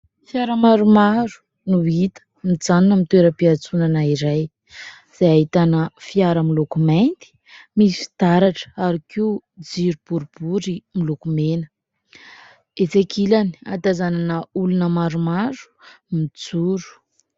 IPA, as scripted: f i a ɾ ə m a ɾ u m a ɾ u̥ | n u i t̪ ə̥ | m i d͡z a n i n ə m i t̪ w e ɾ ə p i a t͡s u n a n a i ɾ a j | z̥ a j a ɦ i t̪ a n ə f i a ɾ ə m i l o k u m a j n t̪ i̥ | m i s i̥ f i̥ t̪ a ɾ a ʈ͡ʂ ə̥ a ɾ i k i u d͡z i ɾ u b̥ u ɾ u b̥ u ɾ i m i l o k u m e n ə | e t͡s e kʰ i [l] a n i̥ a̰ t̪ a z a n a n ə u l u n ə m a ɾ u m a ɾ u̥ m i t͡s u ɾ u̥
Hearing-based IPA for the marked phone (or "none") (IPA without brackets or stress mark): l